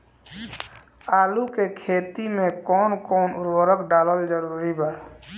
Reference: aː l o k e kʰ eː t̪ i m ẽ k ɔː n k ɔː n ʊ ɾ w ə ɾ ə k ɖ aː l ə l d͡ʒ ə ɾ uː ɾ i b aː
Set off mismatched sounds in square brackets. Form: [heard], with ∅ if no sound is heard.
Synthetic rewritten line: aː l [u] k e kʰ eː t̪ i m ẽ k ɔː n k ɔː n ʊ ɾ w ə ɾ ə k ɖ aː l ə l d͡ʒ ə ɾ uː ɾ i b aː